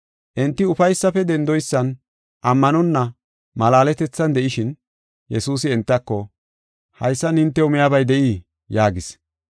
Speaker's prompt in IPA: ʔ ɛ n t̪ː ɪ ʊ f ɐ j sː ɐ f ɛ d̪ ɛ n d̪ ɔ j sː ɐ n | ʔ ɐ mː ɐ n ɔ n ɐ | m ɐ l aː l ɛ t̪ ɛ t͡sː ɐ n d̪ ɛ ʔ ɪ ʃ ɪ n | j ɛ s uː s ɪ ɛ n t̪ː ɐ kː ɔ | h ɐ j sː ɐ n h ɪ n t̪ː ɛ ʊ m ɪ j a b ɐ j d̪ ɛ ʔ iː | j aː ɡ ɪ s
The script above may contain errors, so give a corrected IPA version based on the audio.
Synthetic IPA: ʔ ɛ n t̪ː ɪ ʊ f ɐ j sː ɐ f ɛ d̪ ɛ n d̪ ɔ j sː ɐ n | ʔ ɐ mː ɐ n ɔ nː ɐ | m ɐ l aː l ɛ t̪ ɛ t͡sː ɐ n d̪ ɛ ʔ ɪ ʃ ɪ n | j ɛ s uː s ɪ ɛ n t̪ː ɐ kː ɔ | h ɐ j sː ɐ n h ɪ n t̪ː ɛ ʊ m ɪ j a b ɐ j d̪ ɛ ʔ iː | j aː ɡ ɪ s